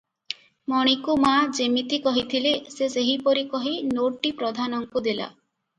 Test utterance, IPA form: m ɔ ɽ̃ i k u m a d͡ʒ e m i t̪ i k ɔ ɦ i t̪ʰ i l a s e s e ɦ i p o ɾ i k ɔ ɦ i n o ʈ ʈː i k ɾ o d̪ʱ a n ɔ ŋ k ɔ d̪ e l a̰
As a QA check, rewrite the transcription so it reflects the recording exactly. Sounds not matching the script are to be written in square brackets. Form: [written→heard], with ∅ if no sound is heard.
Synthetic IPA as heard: m ɔ ɽ̃ i k u m a d͡ʒ e m i t̪ i k ɔ ɦ i t̪ʰ i l [a→e] s e s e ɦ i p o ɾ i k ɔ ɦ i n o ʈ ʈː i [k→p] ɾ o d̪ʱ a n ɔ ŋ k [ɔ→u] d̪ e l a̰